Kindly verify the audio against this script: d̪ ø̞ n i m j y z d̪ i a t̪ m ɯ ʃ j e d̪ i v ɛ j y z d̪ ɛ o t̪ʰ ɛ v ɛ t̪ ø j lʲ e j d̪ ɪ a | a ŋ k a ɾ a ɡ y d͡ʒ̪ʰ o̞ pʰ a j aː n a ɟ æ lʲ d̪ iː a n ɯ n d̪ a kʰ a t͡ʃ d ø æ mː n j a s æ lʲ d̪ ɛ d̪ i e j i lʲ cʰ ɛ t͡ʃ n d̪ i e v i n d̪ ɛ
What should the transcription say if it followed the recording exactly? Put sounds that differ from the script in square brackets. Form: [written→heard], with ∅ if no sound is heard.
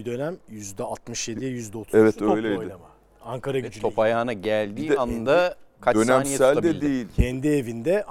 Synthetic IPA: d̪ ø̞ n [i→æ] m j y z d̪ [i→ɛ] a t̪ m ɯ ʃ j e d̪ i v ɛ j y z d̪ ɛ o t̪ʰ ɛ v ɛ t̪ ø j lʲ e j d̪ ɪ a | a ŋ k a ɾ a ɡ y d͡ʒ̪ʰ o̞ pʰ a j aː n a ɟ æ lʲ d̪ iː a n ɯ n d̪ a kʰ a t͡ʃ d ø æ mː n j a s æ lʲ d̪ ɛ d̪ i e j i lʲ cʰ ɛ [t͡ʃ→∅] n d̪ i e v i n d̪ ɛ